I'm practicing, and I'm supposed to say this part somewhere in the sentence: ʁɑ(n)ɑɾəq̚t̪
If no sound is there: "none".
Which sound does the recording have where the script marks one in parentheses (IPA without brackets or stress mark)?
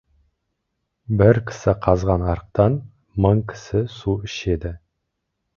n